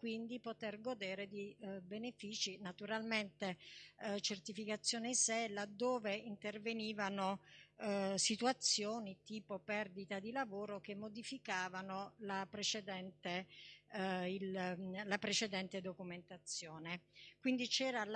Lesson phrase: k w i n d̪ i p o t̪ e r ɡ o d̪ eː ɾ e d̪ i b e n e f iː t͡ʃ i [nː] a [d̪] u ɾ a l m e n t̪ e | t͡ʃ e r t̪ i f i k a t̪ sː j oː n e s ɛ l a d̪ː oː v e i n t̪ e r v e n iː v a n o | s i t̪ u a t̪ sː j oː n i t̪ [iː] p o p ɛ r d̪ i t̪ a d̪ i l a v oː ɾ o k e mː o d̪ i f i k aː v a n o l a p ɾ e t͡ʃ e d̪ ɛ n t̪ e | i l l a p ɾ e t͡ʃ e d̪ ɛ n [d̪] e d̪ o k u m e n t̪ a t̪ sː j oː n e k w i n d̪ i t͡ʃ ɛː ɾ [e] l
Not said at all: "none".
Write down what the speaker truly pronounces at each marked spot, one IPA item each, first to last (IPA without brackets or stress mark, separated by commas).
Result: n, t̪, iː, t̪, a